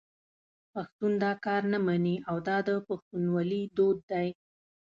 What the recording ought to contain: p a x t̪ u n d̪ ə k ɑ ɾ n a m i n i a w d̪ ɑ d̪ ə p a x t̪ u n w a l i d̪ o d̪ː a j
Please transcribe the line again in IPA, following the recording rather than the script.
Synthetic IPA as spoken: p a x t̪ u n d̪ ɑ k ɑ ɾ n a m a n i a w d̪ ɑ d̪ ə p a x t̪ u n w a l i d̪ o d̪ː a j

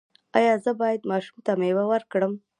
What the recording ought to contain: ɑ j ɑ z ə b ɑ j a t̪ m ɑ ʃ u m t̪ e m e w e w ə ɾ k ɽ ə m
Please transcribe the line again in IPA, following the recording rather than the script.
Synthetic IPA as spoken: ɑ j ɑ z ə b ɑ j a d̪ m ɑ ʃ u m t̪ a m e w a w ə ɾ k ɽ ə m

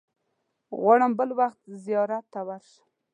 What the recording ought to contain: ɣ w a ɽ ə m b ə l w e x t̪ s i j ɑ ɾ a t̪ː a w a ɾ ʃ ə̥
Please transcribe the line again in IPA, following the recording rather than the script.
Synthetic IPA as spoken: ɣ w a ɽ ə m b ə l w a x t̪ z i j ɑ ɾ a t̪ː a w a ɾ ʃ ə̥

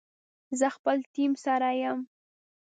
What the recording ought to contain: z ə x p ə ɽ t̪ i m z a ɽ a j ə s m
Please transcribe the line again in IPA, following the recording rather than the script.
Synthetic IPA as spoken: z ə x p ə l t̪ i m s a ɾ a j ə m

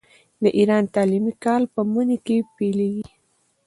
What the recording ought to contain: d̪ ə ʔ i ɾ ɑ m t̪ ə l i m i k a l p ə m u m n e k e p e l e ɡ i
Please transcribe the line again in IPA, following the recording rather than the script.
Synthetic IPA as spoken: d̪ ə ʔ i ɾ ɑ n t̪ ɑ l i m i k ɑ l p ə m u n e k e p e l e ɡ i

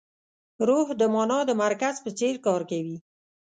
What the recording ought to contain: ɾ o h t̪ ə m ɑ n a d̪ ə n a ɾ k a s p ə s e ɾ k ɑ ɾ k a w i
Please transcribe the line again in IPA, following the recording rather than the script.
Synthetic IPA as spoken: ɾ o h d̪ ə m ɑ n ɑ d̪ ə m a ɾ k a z p ə t͡s e ɾ k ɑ ɾ k a w i

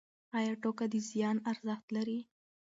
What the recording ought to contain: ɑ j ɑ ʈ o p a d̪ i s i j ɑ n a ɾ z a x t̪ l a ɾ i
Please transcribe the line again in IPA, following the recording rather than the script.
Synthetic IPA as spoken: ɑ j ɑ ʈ o k a d̪ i z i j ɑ n a ɾ z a x t̪ l a ɾ i

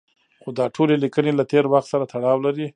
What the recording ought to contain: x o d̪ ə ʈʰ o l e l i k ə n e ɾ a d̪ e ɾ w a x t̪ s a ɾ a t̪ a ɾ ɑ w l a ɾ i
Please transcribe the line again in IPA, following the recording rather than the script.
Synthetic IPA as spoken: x o d̪ ɑ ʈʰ o l e l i k ə n e l a t̪ e ɾ w a x t̪ s a ɾ a t̪ a ɽ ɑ w l a ɾ i

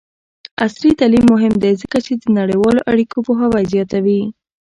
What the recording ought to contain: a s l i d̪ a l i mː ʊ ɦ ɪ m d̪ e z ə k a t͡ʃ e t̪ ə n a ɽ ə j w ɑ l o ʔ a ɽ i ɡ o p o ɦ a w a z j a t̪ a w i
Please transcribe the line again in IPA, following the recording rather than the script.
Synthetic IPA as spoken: a s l i t̪ a l i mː ʊ ɦ ɪ m d̪ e z ə k a t͡ʃ e d̪ ə n a ɽ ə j w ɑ l o ʔ a ɽ i k o p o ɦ a w a z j ɑ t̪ a w i

